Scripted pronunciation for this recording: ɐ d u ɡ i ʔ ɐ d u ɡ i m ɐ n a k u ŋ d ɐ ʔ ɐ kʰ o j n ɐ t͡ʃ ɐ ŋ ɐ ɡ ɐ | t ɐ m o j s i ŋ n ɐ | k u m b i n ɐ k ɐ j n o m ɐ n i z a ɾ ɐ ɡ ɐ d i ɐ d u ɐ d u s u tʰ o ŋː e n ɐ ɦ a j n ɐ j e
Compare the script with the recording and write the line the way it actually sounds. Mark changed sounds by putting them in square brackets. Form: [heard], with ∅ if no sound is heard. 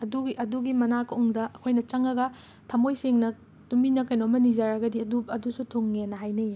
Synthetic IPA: ɐ d u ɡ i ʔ ɐ d u ɡ i m ɐ n a k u ŋ d ɐ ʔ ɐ kʰ o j n ɐ t͡ʃ ɐ ŋ ɐ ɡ ɐ | [tʰ] ɐ m o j s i ŋ n ɐ | [t] u m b i n ɐ k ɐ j n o m ɐ n i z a ɾ ɐ ɡ ɐ d i ɐ d u ɐ d u s u tʰ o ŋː e n ɐ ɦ a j n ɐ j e

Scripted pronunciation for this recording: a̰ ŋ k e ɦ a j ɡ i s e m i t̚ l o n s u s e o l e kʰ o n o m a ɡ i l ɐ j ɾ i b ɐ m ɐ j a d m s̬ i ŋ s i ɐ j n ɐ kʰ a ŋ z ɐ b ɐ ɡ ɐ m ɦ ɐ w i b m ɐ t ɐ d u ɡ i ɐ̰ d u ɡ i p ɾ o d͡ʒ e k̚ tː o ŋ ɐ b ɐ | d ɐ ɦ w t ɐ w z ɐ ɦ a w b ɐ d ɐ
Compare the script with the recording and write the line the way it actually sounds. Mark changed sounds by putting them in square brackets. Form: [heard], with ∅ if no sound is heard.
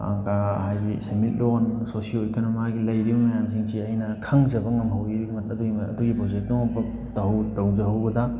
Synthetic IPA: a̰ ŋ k [a] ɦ a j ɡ i s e m i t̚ l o n s [o] s [i] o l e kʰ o n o m a ɡ i l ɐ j ɾ i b ɐ m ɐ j a [∅] m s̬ i ŋ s i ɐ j n ɐ kʰ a ŋ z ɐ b ɐ [ŋ] ɐ m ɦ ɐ w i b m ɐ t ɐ d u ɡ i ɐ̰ d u ɡ i p ɾ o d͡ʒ e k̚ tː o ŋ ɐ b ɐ | [t] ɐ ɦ w t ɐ w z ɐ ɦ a w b ɐ d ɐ

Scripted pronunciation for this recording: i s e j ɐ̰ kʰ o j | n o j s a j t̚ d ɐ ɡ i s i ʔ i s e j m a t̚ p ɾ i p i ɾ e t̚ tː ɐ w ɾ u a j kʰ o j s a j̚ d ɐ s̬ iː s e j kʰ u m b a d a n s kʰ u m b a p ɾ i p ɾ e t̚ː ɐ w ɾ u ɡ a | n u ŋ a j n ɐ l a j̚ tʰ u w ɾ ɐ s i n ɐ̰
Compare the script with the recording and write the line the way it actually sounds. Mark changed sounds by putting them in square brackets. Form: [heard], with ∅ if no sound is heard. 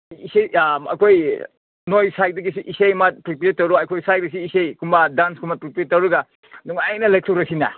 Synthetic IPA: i s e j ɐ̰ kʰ o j | n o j s a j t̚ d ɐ ɡ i s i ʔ i s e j m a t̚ p ɾ i p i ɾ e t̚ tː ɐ w ɾ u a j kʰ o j s a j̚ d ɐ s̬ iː s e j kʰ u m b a d a n s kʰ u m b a p ɾ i p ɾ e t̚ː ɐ w ɾ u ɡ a | n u ŋ a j n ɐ l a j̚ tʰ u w ɾ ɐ s i n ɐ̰

